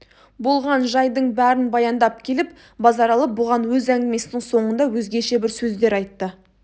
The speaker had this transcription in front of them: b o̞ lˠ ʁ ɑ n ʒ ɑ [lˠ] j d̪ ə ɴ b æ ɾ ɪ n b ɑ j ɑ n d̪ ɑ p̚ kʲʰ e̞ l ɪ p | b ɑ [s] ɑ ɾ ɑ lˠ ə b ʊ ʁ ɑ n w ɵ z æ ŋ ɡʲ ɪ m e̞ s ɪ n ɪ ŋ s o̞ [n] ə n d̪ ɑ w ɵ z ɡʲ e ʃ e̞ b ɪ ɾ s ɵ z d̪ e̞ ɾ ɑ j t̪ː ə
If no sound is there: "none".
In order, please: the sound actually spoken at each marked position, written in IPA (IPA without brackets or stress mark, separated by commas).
none, z, ɴ